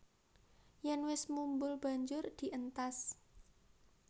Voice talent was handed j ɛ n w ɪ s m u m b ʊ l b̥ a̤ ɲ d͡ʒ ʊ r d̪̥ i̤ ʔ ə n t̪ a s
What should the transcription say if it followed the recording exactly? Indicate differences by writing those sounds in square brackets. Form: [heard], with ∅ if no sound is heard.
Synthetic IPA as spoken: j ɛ n w ɪ s m u m b ʊ l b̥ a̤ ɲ d͡ʒ ʊ r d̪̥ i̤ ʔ ə n t̪ a s